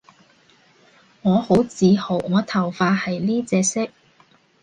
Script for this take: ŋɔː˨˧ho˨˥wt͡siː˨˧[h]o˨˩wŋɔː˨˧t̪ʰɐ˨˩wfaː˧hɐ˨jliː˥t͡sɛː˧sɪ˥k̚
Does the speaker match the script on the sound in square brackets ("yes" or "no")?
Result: yes